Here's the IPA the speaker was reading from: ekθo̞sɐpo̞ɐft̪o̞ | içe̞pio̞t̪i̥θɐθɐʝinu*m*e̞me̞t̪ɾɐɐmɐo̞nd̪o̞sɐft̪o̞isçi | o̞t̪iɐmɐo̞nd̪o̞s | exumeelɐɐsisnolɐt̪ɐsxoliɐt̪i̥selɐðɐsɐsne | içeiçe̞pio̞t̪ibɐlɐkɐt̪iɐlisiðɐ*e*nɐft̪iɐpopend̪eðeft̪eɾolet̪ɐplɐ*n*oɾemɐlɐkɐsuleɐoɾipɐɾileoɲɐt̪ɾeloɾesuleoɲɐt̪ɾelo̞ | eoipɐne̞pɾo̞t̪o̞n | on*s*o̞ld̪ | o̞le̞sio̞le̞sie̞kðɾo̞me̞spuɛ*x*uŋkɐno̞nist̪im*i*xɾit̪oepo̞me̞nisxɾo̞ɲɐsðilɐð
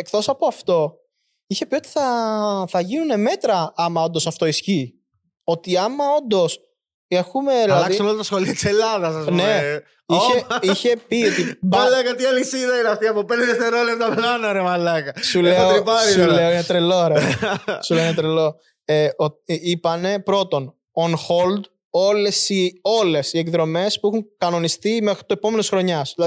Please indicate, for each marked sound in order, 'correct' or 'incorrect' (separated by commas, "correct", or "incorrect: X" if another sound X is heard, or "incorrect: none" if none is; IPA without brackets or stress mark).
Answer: incorrect: n, incorrect: i, correct, incorrect: x, correct, incorrect: e